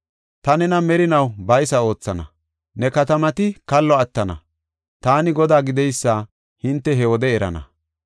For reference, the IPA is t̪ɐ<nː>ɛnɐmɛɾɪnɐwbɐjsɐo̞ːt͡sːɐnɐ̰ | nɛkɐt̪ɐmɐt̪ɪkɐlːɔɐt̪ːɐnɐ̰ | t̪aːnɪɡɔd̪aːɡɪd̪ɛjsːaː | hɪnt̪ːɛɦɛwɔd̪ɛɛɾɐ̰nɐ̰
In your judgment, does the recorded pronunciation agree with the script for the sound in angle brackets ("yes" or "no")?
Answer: no